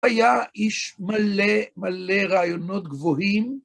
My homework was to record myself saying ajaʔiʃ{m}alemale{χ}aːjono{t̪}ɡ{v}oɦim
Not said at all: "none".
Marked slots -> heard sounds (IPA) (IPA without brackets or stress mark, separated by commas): m, ʁ, t̪, v